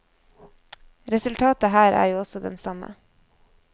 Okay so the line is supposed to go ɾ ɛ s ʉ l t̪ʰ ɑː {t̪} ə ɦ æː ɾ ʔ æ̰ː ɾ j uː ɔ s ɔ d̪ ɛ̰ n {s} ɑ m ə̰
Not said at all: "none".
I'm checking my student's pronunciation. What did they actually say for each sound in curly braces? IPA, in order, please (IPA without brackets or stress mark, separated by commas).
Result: t̪, s